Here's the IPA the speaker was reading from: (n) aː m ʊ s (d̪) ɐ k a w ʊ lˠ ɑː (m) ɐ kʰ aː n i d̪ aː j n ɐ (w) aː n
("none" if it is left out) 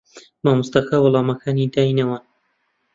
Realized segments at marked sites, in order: m, t̪, m, w

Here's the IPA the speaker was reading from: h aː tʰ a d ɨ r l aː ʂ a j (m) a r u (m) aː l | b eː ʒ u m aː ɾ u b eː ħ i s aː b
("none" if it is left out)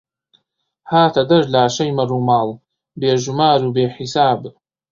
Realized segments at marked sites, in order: m, m

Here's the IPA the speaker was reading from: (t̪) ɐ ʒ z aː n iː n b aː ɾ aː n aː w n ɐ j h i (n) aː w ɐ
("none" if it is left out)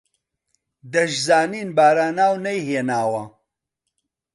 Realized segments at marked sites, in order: d̪, n

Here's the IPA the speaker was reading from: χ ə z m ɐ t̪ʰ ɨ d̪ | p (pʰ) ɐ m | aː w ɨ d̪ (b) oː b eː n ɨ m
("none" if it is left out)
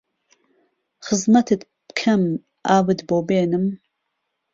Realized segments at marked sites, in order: kʰ, b

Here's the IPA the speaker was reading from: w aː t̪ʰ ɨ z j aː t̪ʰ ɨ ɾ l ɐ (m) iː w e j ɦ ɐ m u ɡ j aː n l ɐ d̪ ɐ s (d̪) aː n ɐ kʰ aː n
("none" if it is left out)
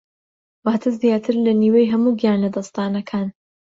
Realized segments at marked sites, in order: n, t̪

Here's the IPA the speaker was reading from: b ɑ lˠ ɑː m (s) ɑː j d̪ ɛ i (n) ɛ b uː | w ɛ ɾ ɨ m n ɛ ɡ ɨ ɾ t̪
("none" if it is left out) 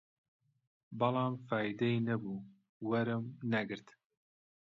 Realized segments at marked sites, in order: f, n

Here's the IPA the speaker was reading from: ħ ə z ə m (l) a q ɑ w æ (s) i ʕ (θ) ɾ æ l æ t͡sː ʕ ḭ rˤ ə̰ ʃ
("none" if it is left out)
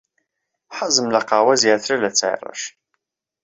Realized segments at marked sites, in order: l, z, θ

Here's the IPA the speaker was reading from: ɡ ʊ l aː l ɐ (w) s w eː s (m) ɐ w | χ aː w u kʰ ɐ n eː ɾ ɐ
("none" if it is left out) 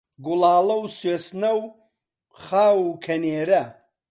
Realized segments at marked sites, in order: w, n

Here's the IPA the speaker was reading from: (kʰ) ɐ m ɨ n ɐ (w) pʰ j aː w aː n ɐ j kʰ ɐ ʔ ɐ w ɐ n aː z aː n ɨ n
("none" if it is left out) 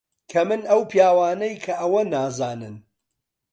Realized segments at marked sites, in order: kʰ, w

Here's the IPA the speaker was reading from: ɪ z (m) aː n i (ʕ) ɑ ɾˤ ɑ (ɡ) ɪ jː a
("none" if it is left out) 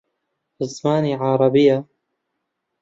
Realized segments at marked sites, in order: m, ʕ, b

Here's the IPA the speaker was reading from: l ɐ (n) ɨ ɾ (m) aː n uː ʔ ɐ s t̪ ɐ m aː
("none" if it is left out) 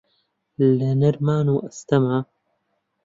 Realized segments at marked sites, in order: n, m

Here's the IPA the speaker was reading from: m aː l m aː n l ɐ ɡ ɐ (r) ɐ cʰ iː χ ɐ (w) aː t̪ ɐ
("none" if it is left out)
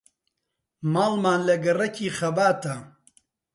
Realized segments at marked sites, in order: r, b

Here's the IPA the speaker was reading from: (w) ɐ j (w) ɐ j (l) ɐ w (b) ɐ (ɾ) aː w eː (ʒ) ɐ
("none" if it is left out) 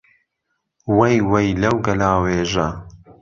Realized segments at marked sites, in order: w, w, l, ɡ, l, ʒ

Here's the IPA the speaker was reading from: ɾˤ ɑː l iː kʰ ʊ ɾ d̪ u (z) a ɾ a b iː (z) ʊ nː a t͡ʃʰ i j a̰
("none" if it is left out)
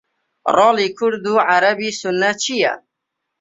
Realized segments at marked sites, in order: ʕ, s

